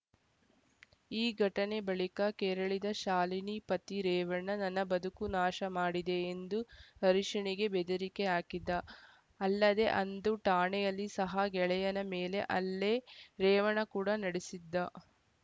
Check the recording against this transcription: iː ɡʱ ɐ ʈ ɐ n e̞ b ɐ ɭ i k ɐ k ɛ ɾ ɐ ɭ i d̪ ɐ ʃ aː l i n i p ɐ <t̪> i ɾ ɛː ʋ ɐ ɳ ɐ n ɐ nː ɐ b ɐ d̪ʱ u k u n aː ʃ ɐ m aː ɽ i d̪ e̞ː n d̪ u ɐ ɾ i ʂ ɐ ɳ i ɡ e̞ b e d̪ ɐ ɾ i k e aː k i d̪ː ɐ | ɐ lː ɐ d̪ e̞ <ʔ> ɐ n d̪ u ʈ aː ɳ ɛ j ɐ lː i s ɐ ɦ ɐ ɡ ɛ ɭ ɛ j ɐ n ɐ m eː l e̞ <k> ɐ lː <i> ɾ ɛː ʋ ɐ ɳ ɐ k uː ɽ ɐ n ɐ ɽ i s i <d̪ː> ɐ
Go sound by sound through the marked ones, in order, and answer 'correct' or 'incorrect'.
correct, correct, incorrect: ʔ, incorrect: e, correct

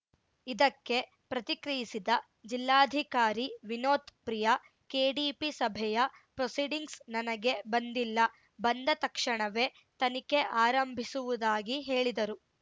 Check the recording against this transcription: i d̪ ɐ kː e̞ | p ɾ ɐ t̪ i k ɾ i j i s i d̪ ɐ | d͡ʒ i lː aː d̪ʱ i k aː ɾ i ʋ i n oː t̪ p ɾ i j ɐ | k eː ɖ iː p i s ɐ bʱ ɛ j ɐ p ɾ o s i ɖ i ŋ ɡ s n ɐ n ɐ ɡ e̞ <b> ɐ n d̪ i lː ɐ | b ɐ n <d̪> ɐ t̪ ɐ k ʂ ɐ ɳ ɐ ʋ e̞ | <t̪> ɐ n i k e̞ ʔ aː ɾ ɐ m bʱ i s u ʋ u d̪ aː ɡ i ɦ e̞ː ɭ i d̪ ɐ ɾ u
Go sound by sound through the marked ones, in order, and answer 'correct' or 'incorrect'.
correct, correct, correct

